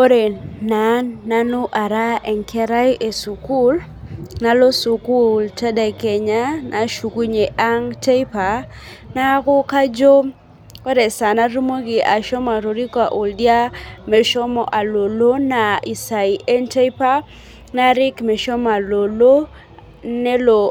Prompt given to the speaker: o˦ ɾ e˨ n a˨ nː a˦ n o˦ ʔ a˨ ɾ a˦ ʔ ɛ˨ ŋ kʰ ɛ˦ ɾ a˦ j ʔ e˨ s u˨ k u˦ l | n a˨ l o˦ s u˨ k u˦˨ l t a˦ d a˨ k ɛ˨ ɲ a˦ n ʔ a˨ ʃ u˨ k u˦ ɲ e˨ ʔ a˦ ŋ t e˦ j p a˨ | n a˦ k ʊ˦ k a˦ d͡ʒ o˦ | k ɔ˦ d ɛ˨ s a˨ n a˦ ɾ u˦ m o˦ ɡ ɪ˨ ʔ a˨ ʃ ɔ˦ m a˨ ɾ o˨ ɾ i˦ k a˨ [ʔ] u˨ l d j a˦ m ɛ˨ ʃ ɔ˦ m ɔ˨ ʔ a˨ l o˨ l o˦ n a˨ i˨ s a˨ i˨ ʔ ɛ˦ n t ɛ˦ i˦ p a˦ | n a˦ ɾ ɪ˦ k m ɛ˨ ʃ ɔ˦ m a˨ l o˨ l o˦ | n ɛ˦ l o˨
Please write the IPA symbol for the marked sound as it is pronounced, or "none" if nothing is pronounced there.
ʔ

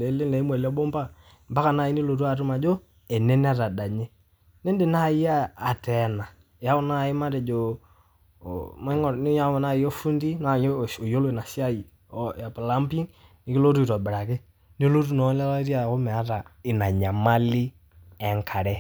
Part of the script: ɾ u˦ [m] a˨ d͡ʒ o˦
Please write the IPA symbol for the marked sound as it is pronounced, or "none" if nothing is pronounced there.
m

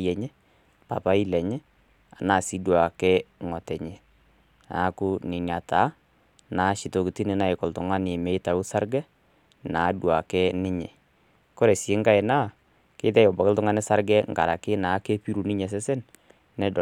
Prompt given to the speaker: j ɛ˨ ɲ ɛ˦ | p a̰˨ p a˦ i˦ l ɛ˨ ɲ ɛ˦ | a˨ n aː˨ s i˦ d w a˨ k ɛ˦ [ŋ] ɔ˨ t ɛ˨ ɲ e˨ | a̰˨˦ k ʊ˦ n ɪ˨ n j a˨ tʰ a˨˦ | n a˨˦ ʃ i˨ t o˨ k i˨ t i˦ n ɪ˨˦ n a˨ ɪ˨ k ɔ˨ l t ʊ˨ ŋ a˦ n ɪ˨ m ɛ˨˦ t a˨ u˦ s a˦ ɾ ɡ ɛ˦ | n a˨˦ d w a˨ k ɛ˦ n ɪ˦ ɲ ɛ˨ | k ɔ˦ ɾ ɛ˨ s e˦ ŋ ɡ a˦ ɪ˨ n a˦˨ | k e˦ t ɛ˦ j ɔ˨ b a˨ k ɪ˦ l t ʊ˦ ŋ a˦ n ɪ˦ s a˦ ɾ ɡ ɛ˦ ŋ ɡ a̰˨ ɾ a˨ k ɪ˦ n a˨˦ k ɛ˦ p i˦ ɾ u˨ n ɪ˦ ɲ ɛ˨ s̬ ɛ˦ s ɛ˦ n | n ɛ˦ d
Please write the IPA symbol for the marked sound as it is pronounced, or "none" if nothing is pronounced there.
ŋ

